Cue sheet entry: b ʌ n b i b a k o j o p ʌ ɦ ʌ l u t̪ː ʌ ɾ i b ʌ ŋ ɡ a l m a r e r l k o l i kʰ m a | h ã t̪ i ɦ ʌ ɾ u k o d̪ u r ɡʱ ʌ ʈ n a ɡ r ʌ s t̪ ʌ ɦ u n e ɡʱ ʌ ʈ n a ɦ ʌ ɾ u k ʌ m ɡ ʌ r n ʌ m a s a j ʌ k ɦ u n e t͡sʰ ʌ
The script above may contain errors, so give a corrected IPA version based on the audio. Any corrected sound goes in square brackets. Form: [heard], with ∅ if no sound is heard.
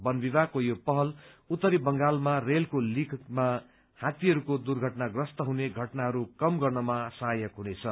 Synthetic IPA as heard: b ʌ n b i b a k o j o p ʌ ɦ ʌ l u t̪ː ʌ ɾ i b ʌ ŋ ɡ a l m a r e [∅] l k o l i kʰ m a | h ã t̪ i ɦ ʌ ɾ u k o d̪ u r ɡʱ ʌ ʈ n a ɡ r ʌ s t̪ ʌ ɦ u n e ɡʱ ʌ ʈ n a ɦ ʌ ɾ u k ʌ m ɡ ʌ r n ʌ m a s a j ʌ k ɦ u n e t͡sʰ ʌ